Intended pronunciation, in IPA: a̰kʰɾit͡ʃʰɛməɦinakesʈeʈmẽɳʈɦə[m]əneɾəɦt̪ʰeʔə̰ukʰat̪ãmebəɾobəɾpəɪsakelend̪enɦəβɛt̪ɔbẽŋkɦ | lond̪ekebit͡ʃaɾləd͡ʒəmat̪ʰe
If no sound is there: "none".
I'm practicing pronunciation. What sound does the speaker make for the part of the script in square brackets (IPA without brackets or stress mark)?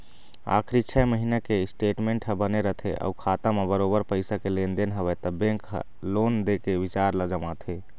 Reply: b